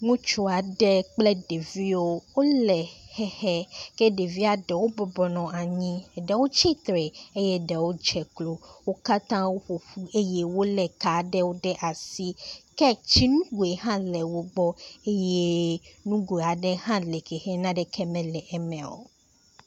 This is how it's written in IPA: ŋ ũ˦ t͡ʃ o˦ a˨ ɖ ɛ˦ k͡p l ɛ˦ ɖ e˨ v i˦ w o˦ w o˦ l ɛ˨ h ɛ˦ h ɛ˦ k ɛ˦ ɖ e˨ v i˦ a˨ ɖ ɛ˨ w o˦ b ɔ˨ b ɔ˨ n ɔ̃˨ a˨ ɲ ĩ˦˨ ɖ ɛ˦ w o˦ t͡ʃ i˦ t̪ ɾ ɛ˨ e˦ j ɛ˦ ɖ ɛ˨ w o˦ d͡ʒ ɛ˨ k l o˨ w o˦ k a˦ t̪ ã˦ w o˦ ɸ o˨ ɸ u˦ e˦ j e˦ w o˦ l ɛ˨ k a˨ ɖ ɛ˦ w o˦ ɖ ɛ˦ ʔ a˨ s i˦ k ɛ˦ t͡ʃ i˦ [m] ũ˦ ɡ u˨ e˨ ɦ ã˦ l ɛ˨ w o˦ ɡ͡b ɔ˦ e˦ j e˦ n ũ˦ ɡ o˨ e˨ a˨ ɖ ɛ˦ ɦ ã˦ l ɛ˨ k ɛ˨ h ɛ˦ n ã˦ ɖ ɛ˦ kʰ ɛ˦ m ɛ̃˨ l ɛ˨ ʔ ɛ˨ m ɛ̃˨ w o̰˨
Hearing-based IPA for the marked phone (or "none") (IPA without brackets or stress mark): n